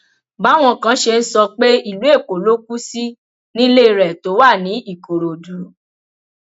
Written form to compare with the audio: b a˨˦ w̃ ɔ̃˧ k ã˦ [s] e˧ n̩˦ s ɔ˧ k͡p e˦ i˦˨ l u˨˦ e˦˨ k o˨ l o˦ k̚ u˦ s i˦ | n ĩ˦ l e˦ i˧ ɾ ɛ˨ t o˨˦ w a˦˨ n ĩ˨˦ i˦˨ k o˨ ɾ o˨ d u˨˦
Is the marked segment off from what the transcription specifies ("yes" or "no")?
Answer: yes